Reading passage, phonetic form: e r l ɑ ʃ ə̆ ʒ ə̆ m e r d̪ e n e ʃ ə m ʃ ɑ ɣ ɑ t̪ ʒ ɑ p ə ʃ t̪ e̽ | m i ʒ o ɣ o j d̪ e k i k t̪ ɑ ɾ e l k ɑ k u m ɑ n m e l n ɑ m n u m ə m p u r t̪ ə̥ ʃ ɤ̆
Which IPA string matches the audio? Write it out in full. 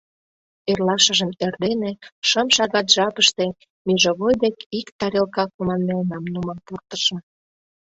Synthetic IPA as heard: e r l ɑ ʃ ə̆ ʒ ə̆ m e r d̪ e n e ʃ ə m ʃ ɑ ɣ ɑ t̪ ʒ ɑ p ə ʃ t̪ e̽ | m i ʒ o ɣ o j d̪ e k i k t̪ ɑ ɾ e l k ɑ k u m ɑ n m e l n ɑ m n u m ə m p u r t̪ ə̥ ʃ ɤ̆